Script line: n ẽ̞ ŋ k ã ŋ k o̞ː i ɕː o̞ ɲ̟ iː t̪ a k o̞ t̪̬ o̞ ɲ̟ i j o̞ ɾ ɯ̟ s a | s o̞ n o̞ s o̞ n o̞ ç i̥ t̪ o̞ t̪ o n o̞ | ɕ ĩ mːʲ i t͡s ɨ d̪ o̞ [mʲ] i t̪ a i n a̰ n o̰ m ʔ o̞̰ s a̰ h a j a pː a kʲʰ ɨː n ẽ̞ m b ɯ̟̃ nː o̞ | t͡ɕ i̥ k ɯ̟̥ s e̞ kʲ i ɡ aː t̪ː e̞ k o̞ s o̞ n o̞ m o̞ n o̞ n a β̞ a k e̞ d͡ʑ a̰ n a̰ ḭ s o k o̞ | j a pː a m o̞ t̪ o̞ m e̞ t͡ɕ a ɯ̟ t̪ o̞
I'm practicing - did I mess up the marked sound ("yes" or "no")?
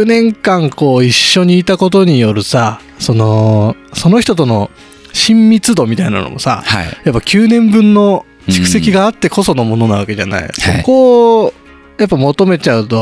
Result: no